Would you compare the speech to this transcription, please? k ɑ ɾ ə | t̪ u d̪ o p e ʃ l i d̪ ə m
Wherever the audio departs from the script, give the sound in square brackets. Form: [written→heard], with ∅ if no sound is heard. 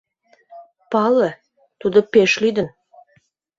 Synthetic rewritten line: [k→p] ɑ [ɾ→l] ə | t̪ u d̪ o p e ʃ l [i→y] d̪ ə [m→n]